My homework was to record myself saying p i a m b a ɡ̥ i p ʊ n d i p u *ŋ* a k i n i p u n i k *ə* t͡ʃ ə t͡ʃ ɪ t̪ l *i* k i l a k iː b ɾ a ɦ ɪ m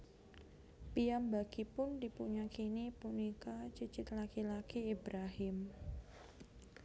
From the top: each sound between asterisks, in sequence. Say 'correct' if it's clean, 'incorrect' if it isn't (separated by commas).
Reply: incorrect, incorrect, incorrect